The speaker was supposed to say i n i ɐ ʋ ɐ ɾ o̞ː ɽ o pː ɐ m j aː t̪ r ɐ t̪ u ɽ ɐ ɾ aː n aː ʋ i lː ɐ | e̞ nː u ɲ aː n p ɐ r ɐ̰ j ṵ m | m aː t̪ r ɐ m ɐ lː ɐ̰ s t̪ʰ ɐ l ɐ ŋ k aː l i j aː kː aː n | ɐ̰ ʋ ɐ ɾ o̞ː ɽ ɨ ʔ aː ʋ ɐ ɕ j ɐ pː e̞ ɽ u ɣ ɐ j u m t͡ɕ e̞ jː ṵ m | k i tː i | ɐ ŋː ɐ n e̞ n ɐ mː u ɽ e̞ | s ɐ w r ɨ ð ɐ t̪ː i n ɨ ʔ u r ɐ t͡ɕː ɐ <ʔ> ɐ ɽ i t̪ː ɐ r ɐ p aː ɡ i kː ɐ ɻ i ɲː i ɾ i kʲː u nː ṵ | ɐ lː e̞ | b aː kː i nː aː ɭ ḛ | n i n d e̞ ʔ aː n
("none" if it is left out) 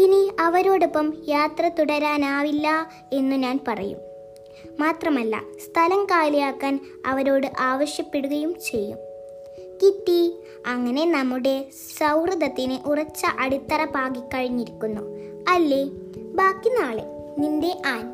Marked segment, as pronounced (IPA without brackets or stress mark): ʔ